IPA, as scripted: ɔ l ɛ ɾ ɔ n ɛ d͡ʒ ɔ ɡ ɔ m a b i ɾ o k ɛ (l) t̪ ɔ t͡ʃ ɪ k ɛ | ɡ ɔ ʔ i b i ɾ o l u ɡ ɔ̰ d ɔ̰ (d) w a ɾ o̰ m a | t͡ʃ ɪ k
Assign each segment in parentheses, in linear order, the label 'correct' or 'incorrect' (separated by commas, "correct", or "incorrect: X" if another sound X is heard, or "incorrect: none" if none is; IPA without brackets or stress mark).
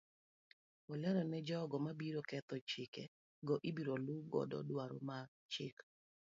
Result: incorrect: none, correct